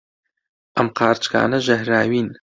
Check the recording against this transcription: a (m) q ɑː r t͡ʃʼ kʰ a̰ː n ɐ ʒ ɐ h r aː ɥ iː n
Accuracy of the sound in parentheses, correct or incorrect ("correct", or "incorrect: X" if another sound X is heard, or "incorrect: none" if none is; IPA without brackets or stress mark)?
correct